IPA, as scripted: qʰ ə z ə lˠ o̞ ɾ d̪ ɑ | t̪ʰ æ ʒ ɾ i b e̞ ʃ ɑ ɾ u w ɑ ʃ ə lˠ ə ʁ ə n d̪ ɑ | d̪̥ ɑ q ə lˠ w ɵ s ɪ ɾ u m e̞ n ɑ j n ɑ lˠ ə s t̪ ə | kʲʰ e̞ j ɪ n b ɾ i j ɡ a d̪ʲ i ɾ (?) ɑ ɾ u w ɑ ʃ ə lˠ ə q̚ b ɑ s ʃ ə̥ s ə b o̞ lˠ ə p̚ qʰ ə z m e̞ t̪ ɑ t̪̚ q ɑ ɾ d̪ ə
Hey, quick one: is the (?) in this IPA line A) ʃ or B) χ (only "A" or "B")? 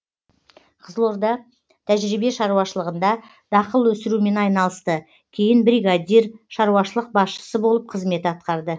A